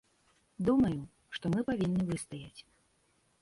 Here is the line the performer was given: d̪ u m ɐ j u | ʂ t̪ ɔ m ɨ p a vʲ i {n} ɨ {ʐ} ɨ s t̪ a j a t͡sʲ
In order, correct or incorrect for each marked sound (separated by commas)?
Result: incorrect, incorrect